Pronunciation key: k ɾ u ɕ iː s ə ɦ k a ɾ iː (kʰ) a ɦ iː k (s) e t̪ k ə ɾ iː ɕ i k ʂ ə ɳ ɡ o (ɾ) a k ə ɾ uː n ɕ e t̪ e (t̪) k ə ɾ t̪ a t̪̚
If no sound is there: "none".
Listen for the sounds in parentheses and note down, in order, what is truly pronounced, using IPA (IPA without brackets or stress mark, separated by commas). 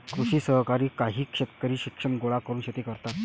k, ʂ, ɭ, none